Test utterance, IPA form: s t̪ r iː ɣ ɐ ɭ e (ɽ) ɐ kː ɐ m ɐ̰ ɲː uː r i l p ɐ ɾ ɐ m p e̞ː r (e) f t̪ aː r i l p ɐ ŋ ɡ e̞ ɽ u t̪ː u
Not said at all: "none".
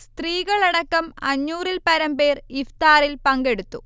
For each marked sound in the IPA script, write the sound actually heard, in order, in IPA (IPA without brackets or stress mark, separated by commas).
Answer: ɽ, i